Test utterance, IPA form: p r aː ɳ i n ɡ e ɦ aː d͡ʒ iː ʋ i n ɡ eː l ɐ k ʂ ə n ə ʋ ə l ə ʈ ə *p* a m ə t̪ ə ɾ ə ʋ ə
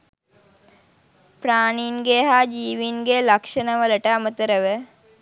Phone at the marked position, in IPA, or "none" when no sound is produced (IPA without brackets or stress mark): none